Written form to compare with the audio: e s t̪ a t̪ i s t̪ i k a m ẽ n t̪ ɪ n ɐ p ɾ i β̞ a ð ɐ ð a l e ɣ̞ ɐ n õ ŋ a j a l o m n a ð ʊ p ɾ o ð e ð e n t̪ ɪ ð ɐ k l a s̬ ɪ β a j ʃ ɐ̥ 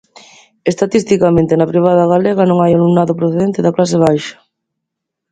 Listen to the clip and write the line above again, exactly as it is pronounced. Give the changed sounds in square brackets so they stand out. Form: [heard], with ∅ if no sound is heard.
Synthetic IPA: e s t̪ a t̪ i s t̪ i k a m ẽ n t̪ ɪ n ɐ p ɾ i β̞ a ð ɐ [ɣ] a l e ɣ̞ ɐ n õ ŋ a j a l [u] m n a ð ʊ p ɾ o [θ] e ð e n t̪ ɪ ð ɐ k l a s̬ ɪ β a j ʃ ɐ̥